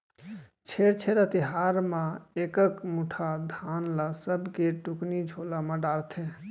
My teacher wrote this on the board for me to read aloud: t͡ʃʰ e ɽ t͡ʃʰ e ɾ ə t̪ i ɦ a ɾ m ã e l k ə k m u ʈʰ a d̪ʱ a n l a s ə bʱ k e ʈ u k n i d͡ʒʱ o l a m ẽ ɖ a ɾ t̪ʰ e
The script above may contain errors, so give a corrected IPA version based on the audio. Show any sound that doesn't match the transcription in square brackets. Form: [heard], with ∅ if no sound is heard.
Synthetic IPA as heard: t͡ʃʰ e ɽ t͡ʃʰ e ɾ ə t̪ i ɦ a ɾ m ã e [∅] k ə k m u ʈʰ a d̪ʱ a n l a s ə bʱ k e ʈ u k n i d͡ʒʱ o l a m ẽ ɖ a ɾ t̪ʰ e